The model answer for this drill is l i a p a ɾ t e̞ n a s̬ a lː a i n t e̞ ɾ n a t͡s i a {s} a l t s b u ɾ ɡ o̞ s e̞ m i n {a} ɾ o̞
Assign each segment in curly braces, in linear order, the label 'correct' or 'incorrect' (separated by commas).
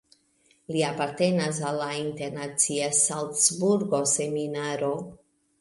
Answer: correct, correct